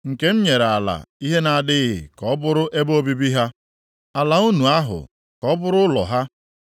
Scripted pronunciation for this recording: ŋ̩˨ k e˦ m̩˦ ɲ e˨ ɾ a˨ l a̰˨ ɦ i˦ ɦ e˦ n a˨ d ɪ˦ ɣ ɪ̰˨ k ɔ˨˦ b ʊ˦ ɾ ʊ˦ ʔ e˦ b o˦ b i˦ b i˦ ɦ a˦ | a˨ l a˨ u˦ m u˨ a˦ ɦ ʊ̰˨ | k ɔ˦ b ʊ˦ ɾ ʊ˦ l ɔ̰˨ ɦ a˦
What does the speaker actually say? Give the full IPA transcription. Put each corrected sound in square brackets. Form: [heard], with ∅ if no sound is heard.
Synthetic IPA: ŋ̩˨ k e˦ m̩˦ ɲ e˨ ɾ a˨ l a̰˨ [∅] i˦ ɦ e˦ n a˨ d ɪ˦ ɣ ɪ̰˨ k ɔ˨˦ b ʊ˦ ɾ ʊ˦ ʔ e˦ b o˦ b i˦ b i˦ ɦ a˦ | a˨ l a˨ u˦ [n] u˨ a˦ ɦ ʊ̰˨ | k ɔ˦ b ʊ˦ ɾ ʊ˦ l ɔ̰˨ ɦ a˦